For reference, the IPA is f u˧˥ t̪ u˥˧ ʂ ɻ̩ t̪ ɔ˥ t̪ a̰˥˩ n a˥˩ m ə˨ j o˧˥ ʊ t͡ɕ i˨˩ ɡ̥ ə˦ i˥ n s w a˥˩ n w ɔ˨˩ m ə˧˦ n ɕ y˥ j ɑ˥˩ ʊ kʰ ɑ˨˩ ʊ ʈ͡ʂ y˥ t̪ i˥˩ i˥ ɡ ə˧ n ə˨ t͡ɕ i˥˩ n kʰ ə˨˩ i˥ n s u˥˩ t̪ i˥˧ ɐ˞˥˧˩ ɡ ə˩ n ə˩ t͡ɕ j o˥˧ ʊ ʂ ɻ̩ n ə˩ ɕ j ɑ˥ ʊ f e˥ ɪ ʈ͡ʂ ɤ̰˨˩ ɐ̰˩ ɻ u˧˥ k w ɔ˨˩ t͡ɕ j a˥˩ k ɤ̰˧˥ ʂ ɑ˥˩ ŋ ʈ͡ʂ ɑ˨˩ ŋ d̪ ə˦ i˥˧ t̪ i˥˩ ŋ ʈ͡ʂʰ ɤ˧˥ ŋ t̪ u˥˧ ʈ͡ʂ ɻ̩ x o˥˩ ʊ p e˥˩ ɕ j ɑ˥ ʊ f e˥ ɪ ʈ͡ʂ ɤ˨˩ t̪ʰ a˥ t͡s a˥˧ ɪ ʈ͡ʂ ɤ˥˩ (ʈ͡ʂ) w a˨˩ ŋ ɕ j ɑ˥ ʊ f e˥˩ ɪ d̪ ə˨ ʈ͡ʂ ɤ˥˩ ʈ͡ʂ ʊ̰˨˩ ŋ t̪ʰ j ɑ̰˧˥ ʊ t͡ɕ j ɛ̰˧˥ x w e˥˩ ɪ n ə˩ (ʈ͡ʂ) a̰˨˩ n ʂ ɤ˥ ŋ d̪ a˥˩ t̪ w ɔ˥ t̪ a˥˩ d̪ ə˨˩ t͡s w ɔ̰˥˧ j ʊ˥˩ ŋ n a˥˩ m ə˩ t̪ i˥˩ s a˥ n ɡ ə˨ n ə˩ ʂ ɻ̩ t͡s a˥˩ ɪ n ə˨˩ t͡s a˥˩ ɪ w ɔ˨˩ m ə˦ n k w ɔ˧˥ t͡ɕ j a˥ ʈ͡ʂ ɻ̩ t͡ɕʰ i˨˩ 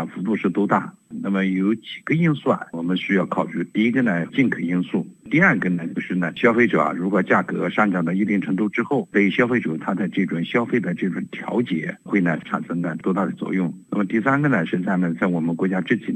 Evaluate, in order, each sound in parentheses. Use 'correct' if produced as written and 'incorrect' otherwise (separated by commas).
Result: correct, incorrect